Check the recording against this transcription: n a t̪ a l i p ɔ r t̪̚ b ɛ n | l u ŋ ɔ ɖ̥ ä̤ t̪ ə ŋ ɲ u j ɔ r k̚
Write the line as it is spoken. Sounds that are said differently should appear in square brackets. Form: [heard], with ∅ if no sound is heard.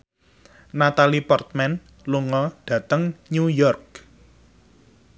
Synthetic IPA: n a t̪ a l i p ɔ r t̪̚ [m] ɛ n | l u ŋ ɔ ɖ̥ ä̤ t̪ ə ŋ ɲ u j ɔ r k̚

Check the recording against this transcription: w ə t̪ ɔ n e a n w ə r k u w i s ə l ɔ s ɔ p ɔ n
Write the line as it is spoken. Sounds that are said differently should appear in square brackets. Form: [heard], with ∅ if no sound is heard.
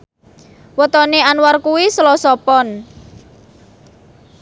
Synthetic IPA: w ə t̪ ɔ n e a n w [a] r k u w i s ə l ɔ s ɔ p ɔ n

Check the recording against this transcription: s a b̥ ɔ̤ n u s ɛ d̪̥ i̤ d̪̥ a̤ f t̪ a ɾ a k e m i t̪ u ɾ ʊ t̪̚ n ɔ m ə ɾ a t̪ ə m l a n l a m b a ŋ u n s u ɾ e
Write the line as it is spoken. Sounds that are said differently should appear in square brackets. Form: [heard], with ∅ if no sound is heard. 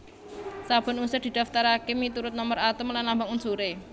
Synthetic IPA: s a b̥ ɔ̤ n u s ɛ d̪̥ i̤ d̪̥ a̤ f t̪ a ɾ a k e m i t̪ u ɾ ʊ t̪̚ n ɔ m ə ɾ a t̪ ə m l a n l a m b a ŋ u n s u ɾ e

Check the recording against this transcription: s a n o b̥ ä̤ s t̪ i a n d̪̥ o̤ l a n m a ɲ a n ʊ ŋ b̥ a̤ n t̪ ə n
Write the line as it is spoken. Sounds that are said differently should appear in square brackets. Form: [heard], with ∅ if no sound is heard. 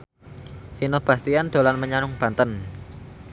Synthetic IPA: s [i] n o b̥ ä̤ s t̪ i a n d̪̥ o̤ l a n m [ə] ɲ a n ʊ ŋ b̥ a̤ n t̪ ə n

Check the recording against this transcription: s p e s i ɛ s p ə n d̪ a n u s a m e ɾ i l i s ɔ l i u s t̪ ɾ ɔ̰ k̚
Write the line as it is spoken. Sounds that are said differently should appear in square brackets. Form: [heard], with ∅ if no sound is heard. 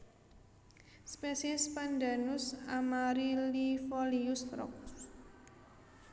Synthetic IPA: s p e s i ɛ s p [a] n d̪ a n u s a m [a] ɾ i l i [f] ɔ l i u s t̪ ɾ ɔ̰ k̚

